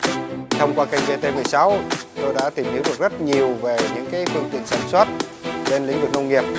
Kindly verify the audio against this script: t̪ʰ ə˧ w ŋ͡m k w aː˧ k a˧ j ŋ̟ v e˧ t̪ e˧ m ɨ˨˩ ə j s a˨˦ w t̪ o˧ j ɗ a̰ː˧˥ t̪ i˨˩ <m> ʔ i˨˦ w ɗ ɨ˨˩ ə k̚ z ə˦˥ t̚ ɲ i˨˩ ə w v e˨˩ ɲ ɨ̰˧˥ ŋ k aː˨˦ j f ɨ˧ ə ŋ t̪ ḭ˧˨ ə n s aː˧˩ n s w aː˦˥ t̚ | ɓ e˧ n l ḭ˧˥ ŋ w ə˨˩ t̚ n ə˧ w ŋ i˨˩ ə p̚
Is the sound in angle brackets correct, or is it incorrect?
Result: correct